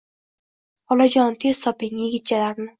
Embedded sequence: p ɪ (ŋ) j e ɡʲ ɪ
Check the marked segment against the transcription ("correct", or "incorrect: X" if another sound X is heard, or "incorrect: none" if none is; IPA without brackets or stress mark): correct